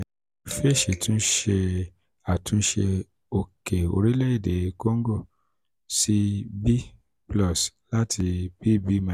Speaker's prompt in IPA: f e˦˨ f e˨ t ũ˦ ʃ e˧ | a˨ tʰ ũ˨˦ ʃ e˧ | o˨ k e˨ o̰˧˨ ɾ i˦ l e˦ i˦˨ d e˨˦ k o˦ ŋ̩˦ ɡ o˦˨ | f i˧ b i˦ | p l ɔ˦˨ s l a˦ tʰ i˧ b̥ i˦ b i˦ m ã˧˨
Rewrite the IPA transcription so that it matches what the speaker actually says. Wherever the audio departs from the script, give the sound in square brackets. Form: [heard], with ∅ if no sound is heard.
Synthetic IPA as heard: f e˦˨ [ʃ] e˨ t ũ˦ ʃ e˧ | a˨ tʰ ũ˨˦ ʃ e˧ | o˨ k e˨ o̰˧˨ ɾ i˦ l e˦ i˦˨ d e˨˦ k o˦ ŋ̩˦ ɡ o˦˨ | [s] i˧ b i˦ | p l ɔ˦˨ s l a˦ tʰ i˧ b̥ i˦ b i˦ m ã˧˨